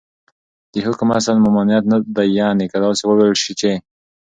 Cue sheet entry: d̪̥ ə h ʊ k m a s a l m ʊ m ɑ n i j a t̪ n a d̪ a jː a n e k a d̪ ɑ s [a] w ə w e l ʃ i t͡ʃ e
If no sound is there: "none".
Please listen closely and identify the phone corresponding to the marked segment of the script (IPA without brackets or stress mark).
e